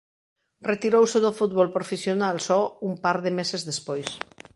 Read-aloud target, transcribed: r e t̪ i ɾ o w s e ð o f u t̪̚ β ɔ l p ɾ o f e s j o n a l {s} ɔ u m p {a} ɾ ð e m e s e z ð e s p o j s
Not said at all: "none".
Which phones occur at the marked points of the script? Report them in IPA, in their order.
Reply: s, a

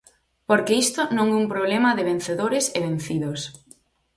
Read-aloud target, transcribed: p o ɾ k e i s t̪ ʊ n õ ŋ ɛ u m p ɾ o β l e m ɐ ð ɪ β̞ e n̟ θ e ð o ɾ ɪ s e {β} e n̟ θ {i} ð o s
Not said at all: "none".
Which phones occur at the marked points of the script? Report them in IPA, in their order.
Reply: β, i

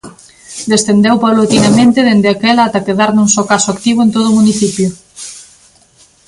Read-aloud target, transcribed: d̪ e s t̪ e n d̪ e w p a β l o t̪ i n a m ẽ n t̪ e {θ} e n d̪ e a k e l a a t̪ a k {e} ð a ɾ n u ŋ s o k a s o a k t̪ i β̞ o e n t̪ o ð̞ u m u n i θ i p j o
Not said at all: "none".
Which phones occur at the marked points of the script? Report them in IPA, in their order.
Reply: ð, e

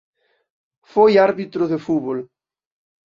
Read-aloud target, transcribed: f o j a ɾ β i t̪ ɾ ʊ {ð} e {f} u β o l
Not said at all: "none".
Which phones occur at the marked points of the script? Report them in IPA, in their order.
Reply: ð, f

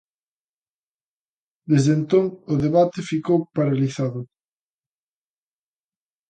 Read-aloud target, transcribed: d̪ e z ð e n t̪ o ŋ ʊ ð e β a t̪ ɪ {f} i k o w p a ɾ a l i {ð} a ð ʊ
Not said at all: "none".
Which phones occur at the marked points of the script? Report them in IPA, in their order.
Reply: f, θ

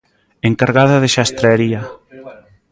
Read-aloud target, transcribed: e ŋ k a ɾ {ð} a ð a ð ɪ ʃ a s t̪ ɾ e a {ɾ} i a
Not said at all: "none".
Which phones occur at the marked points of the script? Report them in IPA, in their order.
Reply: ɣ, ɾ

